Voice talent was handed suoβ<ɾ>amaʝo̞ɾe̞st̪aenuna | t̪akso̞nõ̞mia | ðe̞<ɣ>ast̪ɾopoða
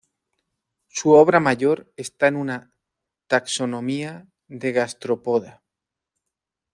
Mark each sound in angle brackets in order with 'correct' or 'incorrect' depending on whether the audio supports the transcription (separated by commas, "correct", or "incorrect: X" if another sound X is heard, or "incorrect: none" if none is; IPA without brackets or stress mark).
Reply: correct, correct